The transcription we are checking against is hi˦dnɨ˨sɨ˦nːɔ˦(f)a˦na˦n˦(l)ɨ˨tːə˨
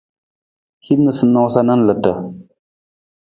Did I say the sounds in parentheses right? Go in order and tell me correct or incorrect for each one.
incorrect, correct

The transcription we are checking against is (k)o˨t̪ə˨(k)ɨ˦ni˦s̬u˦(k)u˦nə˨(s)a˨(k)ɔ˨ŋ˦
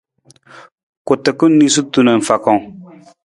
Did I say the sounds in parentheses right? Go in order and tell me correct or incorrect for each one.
correct, correct, incorrect, incorrect, correct

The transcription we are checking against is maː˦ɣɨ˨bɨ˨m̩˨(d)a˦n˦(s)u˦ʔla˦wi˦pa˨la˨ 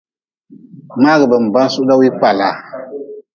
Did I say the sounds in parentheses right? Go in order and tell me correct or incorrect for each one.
incorrect, correct

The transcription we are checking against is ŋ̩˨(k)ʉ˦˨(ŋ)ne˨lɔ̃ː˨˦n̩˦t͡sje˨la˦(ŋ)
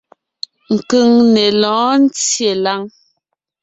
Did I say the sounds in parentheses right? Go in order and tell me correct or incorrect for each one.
correct, correct, correct

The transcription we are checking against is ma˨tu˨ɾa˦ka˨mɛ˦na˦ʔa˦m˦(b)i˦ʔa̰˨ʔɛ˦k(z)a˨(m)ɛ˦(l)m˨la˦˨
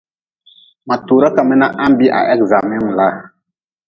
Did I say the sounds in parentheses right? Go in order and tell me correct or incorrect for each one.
correct, correct, correct, incorrect

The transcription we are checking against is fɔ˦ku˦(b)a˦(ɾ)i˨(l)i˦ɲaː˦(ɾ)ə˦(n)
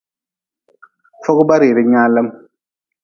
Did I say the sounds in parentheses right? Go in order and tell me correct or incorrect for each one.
correct, correct, incorrect, incorrect, incorrect

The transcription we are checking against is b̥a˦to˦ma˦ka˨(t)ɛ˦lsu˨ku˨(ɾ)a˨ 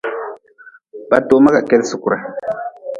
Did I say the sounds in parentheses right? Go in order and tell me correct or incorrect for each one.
incorrect, correct

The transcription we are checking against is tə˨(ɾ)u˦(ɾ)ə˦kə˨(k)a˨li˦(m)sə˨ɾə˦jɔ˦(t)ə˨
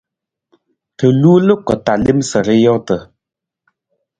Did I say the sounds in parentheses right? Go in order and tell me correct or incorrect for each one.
incorrect, incorrect, incorrect, correct, correct

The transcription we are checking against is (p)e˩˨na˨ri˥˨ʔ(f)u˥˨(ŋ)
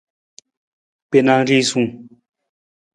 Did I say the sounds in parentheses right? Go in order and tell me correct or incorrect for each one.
correct, incorrect, correct

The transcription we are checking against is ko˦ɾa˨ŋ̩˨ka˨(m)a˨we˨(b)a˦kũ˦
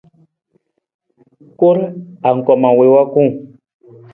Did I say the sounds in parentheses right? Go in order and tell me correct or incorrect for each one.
correct, incorrect

